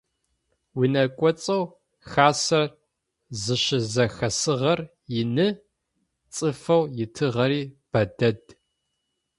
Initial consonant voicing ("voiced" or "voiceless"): voiced